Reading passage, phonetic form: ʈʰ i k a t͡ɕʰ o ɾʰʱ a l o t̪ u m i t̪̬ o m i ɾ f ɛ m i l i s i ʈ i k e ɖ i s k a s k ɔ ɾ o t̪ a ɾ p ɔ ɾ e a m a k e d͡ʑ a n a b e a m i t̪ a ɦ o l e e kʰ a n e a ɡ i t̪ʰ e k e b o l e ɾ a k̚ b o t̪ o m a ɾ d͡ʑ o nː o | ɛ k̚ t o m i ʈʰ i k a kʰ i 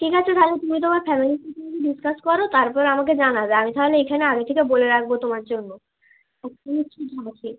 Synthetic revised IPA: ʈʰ i k a t͡ɕʰ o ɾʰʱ a l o t̪ u m i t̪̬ o m a ɾ f ɛ m i l i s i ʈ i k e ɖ i s k a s k ɔ ɾ o t̪ a ɾ p ɔ ɾ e a m a k e d͡ʑ a n a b e a m i t̪ a ɦ o l e e kʰ a n e a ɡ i t̪ʰ e k e b o l e ɾ a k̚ b o t̪ o m a ɾ d͡ʑ o nː o | ɛ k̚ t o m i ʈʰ i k a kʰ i